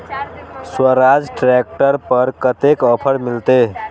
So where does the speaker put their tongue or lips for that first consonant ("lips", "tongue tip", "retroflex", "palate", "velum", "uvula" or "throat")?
tongue tip